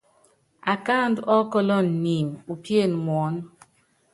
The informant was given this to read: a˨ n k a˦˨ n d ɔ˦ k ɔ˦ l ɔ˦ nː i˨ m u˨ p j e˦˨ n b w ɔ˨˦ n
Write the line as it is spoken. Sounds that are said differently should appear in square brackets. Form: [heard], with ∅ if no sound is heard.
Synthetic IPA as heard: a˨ [∅] k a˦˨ n d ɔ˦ k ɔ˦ l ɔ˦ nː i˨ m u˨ p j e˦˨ n [m] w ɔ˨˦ n